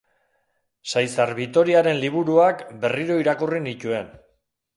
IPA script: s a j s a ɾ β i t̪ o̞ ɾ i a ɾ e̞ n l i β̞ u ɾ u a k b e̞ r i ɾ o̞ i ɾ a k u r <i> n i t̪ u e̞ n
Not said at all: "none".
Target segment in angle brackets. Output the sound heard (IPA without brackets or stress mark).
i